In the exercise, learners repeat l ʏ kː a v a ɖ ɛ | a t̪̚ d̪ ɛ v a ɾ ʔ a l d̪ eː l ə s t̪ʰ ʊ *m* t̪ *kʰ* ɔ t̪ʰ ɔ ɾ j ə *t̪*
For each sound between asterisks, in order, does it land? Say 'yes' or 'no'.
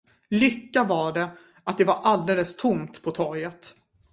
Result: yes, no, yes

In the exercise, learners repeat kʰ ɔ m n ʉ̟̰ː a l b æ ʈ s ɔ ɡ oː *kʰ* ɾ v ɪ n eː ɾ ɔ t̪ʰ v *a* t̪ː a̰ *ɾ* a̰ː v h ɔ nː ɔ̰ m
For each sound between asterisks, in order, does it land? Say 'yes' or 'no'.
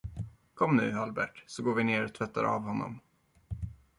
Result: no, no, yes

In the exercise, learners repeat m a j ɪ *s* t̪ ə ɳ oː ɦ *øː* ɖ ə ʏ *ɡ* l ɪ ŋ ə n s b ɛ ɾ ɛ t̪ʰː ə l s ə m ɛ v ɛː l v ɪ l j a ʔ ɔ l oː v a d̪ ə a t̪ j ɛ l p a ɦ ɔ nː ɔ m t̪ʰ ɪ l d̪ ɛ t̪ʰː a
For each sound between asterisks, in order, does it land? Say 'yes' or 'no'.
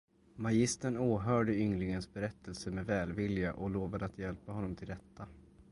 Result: yes, no, no

